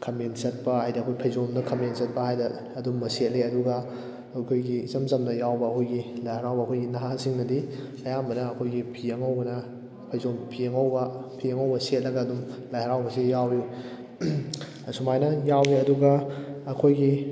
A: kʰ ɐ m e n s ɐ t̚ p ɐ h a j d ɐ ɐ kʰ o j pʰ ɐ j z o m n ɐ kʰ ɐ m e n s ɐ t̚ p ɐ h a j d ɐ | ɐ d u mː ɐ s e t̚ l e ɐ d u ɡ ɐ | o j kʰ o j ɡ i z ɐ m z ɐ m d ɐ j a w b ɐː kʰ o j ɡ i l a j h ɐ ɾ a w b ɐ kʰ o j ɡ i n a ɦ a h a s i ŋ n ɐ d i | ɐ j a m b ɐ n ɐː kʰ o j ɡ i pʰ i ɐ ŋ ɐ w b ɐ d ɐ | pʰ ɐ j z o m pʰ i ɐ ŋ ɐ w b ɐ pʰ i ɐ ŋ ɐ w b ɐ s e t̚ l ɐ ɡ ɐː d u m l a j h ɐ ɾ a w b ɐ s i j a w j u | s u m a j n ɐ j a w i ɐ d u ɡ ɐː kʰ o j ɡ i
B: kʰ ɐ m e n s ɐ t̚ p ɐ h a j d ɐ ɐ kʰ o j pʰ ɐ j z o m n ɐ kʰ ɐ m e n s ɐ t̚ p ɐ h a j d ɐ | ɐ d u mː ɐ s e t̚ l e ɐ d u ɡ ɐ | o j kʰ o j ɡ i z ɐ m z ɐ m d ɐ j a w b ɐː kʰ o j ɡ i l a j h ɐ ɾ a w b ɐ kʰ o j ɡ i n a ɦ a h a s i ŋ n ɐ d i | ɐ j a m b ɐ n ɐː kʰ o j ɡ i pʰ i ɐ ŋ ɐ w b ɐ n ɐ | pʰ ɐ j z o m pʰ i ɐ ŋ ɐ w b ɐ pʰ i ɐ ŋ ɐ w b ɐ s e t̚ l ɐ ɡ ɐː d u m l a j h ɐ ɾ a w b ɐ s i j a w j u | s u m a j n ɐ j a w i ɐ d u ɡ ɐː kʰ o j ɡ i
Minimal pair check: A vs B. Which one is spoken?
B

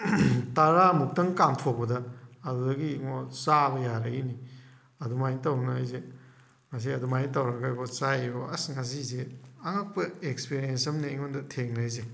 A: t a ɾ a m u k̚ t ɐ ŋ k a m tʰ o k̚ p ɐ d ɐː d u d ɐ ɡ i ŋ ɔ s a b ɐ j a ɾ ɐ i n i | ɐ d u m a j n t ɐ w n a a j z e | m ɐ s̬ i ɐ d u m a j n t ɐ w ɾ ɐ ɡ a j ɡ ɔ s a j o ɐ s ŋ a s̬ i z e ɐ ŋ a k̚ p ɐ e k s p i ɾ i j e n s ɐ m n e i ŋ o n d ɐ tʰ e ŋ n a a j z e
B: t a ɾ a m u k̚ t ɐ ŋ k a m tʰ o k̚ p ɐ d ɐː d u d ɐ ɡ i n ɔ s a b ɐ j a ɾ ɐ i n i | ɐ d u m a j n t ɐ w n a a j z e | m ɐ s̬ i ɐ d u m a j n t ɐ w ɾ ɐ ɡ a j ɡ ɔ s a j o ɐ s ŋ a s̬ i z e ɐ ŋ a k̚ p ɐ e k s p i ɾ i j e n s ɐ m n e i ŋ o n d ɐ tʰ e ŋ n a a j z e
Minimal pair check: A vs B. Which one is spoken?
A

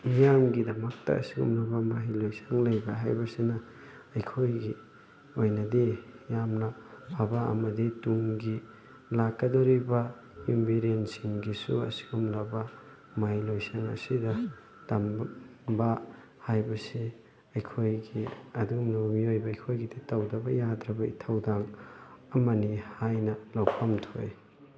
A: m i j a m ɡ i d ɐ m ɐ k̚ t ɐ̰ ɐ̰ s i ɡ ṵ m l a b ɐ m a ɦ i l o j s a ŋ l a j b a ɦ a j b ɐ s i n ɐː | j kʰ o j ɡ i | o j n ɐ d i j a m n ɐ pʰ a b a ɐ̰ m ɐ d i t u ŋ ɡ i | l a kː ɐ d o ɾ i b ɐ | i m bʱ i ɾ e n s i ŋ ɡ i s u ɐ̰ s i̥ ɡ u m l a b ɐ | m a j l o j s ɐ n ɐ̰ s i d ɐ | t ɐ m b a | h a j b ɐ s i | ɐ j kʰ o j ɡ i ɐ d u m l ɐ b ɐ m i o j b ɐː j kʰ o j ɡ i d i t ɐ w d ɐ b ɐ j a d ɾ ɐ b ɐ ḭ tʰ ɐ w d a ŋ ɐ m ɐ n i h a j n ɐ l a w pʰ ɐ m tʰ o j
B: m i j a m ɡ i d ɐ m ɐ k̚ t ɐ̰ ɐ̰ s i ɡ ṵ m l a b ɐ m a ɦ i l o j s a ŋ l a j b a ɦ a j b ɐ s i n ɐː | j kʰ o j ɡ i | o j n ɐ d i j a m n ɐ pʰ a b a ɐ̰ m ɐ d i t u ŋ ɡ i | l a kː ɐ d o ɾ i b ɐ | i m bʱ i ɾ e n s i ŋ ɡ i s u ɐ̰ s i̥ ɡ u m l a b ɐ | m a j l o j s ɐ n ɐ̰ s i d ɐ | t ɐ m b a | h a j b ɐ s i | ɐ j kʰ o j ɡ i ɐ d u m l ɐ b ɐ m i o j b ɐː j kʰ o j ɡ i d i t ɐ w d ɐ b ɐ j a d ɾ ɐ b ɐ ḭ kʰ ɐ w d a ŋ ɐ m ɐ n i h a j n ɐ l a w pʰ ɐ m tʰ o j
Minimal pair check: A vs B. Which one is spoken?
A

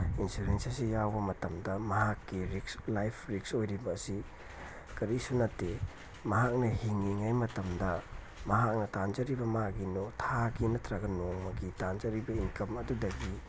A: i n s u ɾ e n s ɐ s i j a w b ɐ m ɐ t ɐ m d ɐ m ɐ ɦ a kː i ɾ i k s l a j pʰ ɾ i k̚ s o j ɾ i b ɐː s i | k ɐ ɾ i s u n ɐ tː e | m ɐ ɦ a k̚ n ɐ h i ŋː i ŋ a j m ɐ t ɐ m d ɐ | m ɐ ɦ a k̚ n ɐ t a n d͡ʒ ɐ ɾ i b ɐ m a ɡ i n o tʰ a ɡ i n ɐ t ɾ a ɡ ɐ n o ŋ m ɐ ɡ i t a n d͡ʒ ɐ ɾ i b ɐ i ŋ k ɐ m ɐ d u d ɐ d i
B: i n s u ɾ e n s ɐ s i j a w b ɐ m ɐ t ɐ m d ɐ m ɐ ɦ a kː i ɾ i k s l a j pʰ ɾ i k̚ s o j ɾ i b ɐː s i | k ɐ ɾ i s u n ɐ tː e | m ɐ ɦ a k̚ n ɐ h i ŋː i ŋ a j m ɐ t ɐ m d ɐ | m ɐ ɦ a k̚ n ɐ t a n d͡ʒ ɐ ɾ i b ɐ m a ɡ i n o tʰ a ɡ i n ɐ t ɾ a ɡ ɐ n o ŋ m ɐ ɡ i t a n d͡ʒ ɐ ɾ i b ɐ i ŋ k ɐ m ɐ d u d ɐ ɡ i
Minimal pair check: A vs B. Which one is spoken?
B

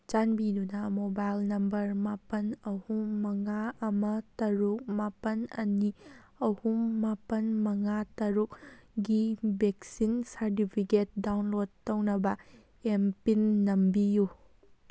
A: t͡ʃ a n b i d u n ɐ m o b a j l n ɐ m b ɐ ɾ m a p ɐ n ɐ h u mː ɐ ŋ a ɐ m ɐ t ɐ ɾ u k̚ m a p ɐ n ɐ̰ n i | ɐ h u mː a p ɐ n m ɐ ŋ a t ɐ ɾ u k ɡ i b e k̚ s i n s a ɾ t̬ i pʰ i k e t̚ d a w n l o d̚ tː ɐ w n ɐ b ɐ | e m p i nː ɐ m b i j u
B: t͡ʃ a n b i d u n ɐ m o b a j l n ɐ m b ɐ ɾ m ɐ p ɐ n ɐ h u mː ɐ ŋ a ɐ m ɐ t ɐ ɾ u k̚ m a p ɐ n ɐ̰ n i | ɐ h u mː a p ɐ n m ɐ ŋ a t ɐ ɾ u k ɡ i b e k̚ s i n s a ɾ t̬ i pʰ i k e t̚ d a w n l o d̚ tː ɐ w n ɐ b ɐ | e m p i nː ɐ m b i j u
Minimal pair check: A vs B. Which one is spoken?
A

